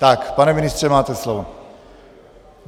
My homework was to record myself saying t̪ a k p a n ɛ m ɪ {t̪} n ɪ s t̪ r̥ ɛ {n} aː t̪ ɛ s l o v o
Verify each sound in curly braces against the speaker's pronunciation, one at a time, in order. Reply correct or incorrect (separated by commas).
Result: incorrect, incorrect